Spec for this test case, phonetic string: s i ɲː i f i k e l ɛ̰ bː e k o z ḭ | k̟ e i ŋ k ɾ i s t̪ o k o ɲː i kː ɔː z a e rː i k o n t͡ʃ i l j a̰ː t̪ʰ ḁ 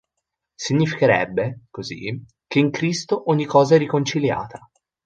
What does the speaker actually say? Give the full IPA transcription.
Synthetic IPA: s i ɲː i f i k e ɾ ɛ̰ bː e k o z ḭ | k̟ e i ŋ k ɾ i s t̪ o ʔ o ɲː i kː ɔː z a ɛ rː i k o n t͡ʃ i l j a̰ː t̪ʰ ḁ